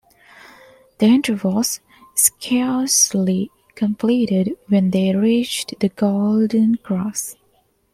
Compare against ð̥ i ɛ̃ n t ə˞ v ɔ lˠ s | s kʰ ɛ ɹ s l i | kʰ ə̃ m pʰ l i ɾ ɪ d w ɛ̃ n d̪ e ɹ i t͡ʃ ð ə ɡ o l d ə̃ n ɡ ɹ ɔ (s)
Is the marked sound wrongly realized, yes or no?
no